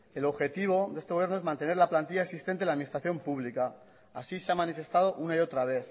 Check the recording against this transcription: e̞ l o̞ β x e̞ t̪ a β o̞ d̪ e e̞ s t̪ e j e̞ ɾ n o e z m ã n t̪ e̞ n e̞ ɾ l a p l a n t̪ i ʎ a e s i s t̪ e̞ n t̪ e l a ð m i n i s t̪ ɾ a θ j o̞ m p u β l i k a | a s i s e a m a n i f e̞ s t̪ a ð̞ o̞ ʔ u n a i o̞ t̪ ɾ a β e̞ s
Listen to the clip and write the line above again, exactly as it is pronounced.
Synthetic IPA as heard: e̞ l o̞ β x e̞ t̪ i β o̞ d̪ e e̞ s t̪ e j e̞ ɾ n o e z m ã n t̪ e̞ n e̞ ɾ l a p l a n t̪ i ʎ a e s i s t̪ e̞ n t̪ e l a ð m i n i s t̪ ɾ a θ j o̞ m p u β l i k a | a s i s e a m a n i f e̞ s t̪ a ð̞ o̞ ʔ u n a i o̞ t̪ ɾ a β e̞ θ

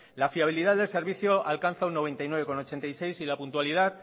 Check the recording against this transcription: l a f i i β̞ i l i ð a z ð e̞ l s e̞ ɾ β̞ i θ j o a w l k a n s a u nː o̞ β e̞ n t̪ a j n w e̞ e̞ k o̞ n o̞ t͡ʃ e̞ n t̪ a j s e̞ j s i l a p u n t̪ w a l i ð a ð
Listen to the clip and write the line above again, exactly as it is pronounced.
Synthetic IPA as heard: l a f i a β̞ i l i ð a ð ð e̞ l s e̞ ɾ β̞ i θ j o a l k a n θ a u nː o̞ β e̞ n t̪ a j n w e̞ e̞ k o̞ n o̞ t͡ʃ e̞ n t̪ a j s e̞ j s i l a p u n t̪ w a l i ð a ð

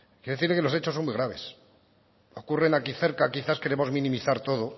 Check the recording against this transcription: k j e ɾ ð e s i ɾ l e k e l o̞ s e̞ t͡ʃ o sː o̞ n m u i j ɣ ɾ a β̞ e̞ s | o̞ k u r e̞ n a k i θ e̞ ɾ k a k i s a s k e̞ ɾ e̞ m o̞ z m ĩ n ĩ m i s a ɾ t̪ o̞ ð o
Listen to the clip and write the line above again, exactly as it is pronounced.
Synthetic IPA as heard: k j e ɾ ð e θ i ɾ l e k e l o̞ s e̞ t͡ʃ o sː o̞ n m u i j ɣ ɾ a β̞ e̞ s | o̞ k u r e̞ n a k i θ e̞ ɾ k a k i θ a s k e̞ ɾ e̞ m o̞ z m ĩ n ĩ m i θ a ɾ t̪ o̞ ð o

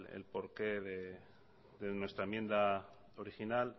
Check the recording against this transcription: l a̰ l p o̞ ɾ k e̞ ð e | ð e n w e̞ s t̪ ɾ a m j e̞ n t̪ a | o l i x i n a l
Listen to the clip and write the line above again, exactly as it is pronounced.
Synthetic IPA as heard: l ḛ l p o̞ ɾ k e̞ ð e | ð e n w e̞ s t̪ ɾ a m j e̞ n d̪ a | o ɾ i x i n a l

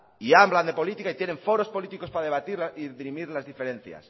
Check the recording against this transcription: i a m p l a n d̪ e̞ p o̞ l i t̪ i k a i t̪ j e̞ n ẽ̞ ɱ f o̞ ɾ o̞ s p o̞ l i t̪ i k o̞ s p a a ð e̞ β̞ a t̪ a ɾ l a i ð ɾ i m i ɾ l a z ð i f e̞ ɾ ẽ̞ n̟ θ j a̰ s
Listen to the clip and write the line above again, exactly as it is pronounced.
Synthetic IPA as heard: i a m b l a n d̪ e̞ p o̞ l i t̪ i k a i t̪ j e̞ n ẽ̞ ɱ f o̞ ɾ o̞ s p o̞ l i t̪ i k o̞ s p a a ð e̞ β̞ a t̪ i ɾ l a i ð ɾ i m i ɾ l a z ð i f e̞ ɾ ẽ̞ n̟ θ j a̰ s

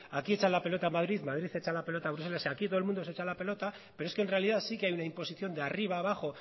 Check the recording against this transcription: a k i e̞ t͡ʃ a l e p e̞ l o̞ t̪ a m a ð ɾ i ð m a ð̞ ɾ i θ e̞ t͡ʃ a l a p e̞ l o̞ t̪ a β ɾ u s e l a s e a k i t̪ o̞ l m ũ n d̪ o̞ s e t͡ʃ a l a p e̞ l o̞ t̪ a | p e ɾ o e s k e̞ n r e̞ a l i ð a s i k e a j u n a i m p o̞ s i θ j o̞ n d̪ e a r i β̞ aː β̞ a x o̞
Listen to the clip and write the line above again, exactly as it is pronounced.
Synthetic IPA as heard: a k i e̞ t͡ʃ a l a p e̞ l o̞ t̪ a m a ð ɾ i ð m a ð̞ ɾ i θ e̞ t͡ʃ a l a p e̞ l o̞ t̪ a β ɾ u s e l a s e a k i t̪ o̞ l m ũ n d̪ o̞ s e t͡ʃ a l a p e̞ l o̞ t̪ a | p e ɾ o e s k e̞ n r e̞ a l i ð a s i k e a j u n a i m p o̞ s i θ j o̞ n d̪ e a r i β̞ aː β̞ a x o̞

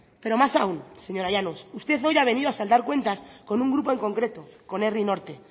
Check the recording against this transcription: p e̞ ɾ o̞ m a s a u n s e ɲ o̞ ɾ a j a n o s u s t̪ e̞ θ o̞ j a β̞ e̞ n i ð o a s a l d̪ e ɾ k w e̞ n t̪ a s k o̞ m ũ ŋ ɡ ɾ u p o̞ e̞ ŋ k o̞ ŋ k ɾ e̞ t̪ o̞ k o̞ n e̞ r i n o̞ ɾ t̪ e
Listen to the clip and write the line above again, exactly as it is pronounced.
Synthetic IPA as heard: p e̞ ɾ o̞ m a s a u n s e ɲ o̞ ɾ a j a n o s u s t̪ e̞ θ o̞ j a β̞ e̞ n i ð o a s a l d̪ a ɾ k w e̞ n t̪ a s k o̞ n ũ ŋ ɡ ɾ u p o̞ e̞ ŋ k o̞ ŋ k ɾ e̞ t̪ o̞ k o̞ n e̞ r i n o̞ ɾ t̪ e

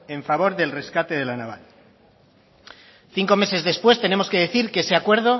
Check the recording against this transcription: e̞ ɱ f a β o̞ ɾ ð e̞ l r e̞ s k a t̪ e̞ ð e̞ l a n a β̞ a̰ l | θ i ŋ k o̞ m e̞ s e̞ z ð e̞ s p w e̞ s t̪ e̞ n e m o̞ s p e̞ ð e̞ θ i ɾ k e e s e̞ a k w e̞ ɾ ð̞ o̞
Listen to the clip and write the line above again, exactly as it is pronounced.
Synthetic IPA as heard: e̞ ɱ f a β o̞ ɾ ð e̞ l r e̞ s k a t̪ e̞ ð e̞ l a n a β̞ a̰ l | θ i ŋ k o̞ m e̞ s e̞ z ð e̞ s p w e̞ s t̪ e̞ n e m o̞ s k e̞ ð e̞ θ i ɾ k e e s e̞ a k w e̞ ɾ ð̞ o̞

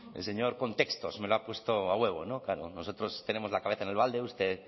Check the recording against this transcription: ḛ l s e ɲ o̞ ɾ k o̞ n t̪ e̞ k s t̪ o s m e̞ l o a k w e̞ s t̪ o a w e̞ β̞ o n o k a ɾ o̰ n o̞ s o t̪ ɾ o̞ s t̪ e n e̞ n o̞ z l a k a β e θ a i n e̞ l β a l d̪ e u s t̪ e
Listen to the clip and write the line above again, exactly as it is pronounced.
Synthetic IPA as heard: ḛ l s e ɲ o̞ ɾ k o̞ n t̪ e̞ k s t̪ o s m e̞ l o a p w e̞ s t̪ o a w e̞ β̞ o n o k a ɾ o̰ n o̞ s o t̪ ɾ o̞ s t̪ e n e̞ m o̞ z l a k a β e θ a e n e̞ l β a l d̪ e u s t̪ e

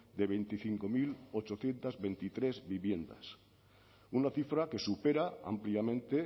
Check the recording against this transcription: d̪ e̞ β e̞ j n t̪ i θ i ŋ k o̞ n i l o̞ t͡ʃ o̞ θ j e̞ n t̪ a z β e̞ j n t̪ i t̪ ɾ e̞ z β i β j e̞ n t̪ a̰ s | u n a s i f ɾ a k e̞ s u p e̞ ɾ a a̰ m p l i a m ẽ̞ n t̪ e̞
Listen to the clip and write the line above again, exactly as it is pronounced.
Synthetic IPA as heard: d̪ e̞ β e̞ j n t̪ i θ i ŋ k o̞ m i l o̞ t͡ʃ o̞ θ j e̞ n t̪ a z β e̞ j n t̪ i t̪ ɾ e̞ z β i β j e̞ n d̪ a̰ s | u n a θ i f ɾ a k e̞ s u p e̞ ɾ a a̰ m p l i a m ẽ̞ n t̪ e̞

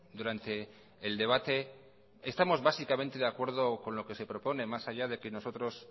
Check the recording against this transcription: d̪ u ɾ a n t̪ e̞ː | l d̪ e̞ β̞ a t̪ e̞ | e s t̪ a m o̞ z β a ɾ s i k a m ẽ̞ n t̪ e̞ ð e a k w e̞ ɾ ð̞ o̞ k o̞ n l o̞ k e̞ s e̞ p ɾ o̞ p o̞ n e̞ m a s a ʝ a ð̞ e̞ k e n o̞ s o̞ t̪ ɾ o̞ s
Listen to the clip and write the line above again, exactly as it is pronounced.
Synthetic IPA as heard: d̪ u ɾ a n t̪ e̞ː | l d̪ e̞ β̞ a t̪ e̞ | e s t̪ a m o̞ z β a s i k a m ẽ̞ n t̪ e̞ ð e a k w e̞ ɾ ð̞ o̞ k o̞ n l o̞ k e̞ s e̞ p ɾ o̞ p o̞ n e̞ m a s a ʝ a ð̞ e̞ k e n o̞ s o̞ t̪ ɾ o̞ s

